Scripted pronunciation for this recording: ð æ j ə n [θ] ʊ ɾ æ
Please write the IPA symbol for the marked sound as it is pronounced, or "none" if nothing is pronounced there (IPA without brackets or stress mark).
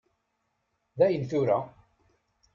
θ